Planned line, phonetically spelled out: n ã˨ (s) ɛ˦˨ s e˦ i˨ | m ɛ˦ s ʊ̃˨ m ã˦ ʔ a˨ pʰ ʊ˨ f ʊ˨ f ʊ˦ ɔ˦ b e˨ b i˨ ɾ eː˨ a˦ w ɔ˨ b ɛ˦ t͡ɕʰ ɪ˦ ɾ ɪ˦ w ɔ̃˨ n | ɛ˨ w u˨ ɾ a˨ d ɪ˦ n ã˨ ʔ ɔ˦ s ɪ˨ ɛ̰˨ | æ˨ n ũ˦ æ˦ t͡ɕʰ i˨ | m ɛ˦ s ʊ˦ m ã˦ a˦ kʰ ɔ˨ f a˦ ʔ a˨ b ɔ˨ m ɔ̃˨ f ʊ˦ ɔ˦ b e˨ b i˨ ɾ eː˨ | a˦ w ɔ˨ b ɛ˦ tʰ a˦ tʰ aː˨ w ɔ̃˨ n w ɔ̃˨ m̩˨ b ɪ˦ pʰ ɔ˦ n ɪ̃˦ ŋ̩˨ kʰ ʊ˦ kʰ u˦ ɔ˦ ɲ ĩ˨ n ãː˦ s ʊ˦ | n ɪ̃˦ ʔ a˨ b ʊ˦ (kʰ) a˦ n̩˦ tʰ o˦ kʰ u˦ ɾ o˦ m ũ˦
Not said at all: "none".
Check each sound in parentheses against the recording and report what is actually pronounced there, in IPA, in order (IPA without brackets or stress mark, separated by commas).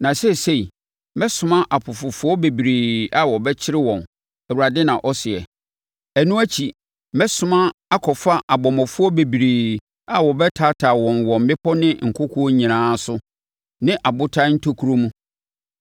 s, tʰ